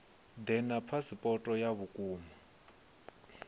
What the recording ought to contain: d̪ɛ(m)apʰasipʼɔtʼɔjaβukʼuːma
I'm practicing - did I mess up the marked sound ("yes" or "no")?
yes